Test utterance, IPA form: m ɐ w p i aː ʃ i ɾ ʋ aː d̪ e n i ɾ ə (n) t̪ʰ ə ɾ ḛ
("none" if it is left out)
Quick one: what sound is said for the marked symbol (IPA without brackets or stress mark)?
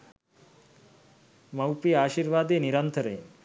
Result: n